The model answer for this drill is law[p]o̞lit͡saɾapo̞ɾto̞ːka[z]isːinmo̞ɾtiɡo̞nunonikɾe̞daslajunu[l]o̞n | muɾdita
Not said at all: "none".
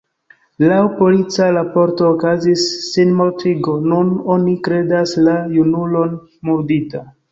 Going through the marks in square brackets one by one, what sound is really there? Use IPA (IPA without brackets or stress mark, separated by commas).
p, z, l